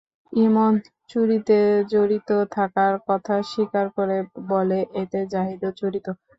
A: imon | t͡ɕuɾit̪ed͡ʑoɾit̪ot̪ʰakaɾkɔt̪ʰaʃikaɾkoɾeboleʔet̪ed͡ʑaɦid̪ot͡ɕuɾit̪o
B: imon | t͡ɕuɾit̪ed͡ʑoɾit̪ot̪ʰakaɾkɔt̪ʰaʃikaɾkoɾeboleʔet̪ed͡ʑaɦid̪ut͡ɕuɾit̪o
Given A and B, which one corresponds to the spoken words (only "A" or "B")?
A